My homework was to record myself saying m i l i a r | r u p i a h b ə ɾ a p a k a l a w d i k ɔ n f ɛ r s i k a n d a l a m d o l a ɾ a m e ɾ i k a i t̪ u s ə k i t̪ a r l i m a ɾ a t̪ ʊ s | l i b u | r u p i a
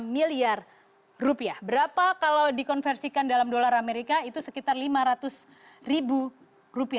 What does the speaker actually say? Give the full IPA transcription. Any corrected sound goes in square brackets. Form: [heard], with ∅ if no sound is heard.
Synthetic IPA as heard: m i l i a r | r u p i a h b ə ɾ a p a k a l a w d i k ɔ n f ɛ r s i k a n d a l a m d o l a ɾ a m e ɾ i k a i t̪ u s ə k i t̪ a r l i m a ɾ a t̪ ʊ s | [r] i b u | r u p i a